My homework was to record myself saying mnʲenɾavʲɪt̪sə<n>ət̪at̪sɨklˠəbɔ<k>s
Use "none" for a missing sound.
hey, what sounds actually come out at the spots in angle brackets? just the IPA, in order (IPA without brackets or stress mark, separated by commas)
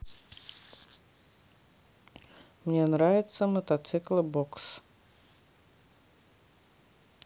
m, k